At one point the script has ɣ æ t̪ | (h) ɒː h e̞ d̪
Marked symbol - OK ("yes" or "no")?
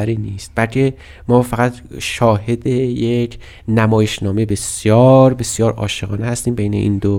no